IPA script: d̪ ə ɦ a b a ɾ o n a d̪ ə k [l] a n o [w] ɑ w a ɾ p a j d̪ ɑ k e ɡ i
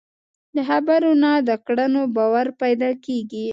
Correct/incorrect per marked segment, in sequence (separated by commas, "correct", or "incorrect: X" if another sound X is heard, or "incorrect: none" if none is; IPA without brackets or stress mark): incorrect: ɽ, incorrect: b